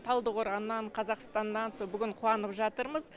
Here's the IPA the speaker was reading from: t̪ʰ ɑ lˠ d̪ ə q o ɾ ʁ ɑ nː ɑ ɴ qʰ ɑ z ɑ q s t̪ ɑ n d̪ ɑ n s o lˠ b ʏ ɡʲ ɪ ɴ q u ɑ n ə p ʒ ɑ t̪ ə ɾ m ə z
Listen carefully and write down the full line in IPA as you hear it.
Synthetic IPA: t̪ʰ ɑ lˠ d̪ ə q o ɾ ʁ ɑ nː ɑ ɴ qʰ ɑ z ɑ q s t̪ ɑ n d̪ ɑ n s o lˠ b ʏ ɡʲ ɪ ɴ qʰ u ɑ n ə p ʒ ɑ t̪ ə ɾ m ə z